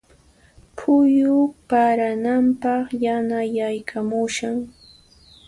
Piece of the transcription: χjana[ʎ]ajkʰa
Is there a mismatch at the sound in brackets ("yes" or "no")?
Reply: yes